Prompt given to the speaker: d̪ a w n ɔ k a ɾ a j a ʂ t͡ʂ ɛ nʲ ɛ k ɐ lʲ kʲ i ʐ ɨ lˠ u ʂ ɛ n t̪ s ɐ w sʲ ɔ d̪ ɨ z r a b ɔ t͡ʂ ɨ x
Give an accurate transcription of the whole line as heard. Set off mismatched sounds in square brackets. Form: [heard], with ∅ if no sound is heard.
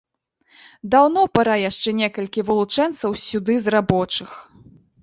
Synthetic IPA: d̪ a w n ɔ [p] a ɾ a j a ʂ t͡ʂ ɛ nʲ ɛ k ɐ lʲ kʲ i [v] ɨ lˠ u [t͡ʂ] ɛ n t̪ s ɐ w sʲ [u] d̪ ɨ z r a b ɔ t͡ʂ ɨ x